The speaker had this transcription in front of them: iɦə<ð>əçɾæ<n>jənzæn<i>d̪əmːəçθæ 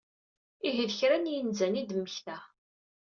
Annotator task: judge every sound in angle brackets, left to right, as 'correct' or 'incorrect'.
correct, correct, correct

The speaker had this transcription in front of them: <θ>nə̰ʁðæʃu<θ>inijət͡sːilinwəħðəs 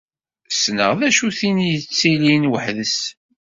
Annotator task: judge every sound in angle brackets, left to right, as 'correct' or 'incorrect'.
incorrect: s, correct

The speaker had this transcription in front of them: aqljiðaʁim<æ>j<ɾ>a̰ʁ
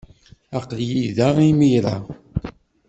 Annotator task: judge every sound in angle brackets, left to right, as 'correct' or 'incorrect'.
incorrect: i, correct

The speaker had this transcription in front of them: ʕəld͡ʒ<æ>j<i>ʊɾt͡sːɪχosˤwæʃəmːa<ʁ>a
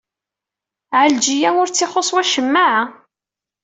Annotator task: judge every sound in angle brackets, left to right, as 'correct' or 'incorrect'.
incorrect: i, incorrect: æ, incorrect: ʕ

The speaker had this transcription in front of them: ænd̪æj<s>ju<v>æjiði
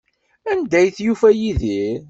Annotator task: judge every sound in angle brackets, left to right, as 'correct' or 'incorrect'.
incorrect: θ, incorrect: f

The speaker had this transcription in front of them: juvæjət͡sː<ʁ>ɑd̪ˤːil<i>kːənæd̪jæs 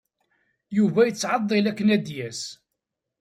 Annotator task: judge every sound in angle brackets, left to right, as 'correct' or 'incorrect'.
incorrect: ʕ, incorrect: æ

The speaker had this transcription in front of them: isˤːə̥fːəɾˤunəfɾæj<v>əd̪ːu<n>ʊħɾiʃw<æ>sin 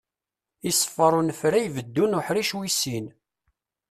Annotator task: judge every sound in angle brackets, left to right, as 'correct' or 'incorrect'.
correct, correct, incorrect: i

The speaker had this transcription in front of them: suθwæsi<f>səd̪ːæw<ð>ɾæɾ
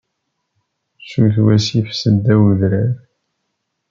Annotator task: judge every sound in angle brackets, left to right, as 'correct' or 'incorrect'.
correct, correct

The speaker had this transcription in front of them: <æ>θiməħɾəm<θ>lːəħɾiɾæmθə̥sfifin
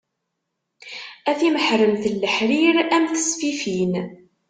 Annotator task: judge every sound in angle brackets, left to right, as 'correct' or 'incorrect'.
correct, correct

